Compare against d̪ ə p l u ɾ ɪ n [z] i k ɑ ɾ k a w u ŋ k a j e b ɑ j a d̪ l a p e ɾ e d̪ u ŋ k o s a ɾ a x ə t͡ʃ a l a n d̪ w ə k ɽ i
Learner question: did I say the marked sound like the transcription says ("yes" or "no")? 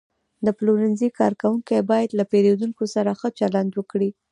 yes